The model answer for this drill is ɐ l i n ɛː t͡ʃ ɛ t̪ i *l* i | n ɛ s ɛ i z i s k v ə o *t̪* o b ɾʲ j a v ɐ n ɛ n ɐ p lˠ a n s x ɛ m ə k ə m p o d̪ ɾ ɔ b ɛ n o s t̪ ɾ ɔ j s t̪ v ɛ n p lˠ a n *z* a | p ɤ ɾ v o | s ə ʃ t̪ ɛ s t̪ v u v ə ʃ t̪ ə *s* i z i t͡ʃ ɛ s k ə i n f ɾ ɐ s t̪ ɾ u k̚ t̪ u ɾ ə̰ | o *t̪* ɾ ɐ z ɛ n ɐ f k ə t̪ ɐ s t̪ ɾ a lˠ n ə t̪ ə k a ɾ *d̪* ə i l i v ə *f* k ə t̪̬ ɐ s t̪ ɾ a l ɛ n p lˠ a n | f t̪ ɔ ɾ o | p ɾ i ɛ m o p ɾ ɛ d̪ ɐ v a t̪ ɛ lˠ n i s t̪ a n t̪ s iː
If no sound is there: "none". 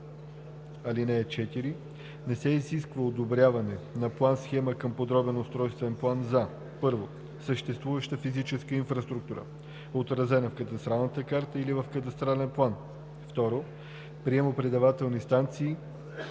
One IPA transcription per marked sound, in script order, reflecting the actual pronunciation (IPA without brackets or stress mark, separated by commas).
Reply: ɾ, d̪, z, f, t̪, t̪, f